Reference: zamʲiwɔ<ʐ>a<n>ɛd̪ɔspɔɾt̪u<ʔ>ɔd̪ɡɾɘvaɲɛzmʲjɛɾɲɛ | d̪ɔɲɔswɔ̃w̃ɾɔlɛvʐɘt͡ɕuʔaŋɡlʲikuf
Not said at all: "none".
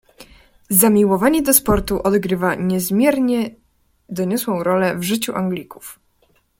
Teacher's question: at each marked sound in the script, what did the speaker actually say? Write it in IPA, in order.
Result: v, ɲ, ʔ

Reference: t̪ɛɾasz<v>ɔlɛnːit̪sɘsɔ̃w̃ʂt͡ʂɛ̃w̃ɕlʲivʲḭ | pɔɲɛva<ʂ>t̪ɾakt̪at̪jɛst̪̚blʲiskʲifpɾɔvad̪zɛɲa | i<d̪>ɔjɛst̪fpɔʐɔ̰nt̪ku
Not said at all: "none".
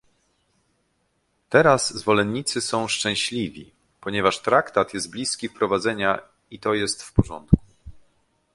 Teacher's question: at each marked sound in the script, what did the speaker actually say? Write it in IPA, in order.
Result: v, ʂ, t̪

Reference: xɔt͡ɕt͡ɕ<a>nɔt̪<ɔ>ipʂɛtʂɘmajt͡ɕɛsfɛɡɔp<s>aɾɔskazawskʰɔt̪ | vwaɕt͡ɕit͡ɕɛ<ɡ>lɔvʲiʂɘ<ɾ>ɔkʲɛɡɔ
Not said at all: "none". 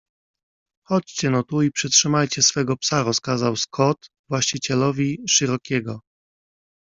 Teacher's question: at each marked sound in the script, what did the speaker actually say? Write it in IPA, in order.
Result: ɛ, u, s, none, ɾ

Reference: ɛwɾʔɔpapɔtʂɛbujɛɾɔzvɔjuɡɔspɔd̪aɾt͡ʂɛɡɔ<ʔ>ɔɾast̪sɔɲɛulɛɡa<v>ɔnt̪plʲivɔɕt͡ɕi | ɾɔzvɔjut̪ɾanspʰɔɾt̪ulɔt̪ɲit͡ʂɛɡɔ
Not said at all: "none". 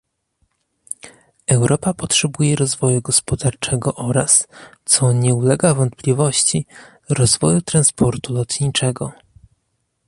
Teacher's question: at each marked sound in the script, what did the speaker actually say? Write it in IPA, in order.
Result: ʔ, v

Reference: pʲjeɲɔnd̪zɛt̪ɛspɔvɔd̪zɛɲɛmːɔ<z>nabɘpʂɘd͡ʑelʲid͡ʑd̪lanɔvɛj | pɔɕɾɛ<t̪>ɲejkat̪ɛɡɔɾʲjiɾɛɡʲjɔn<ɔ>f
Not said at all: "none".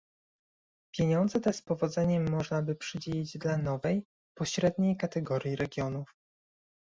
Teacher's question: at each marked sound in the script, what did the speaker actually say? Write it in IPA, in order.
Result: ʐ, d̪, u

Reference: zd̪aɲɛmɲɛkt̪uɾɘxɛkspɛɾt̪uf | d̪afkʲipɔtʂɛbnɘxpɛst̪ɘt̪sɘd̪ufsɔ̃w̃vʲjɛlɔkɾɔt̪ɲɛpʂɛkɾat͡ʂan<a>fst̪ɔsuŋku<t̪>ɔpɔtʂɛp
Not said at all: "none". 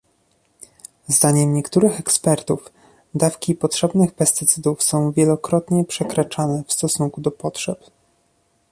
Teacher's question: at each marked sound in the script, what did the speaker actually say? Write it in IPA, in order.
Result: ɛ, d̪

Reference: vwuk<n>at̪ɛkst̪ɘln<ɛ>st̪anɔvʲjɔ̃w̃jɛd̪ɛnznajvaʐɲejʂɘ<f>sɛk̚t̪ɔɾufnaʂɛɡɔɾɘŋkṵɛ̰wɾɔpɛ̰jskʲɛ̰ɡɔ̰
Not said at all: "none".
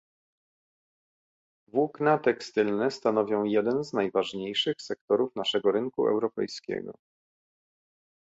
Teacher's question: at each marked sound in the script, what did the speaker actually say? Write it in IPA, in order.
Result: n, ɛ, x

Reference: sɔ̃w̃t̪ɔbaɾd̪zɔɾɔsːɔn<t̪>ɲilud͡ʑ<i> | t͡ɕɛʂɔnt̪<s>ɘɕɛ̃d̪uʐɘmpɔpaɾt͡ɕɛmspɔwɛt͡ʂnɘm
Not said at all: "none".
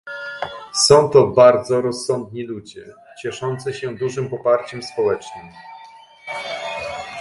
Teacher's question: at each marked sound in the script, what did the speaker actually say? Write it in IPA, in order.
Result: d̪, ɛ, s

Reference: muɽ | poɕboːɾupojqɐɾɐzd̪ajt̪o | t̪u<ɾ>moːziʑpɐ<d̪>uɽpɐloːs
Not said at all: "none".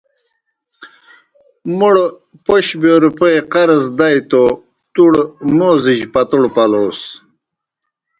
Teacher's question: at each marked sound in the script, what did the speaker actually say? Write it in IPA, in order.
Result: ɽ, t̪

